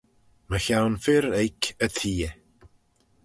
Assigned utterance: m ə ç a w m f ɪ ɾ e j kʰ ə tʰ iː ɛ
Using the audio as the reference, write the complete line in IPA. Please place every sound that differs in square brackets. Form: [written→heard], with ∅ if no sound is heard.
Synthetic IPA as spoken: m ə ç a w [m→n] f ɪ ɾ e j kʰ ə tʰ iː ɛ